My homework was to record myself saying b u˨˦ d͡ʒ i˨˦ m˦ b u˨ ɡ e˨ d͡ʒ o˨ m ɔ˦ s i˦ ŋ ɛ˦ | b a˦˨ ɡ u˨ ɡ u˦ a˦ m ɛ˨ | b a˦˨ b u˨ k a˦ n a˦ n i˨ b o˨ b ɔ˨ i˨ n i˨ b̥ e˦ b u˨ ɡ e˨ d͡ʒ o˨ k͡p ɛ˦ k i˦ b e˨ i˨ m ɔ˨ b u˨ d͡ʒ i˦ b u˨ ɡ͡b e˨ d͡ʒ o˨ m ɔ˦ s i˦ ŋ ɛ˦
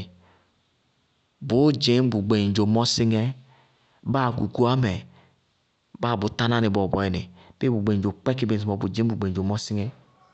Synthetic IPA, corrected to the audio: b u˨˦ d͡ʒ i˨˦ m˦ b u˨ ɡ͡b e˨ d͡ʒ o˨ m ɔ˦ s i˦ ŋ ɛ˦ | b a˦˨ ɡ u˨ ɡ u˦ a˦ m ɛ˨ | b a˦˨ b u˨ t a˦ n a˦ n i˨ b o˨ b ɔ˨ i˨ n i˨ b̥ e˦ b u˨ ɡ͡b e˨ d͡ʒ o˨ k͡p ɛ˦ k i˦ b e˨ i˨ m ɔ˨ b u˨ d͡ʒ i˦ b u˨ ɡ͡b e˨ d͡ʒ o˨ m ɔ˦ s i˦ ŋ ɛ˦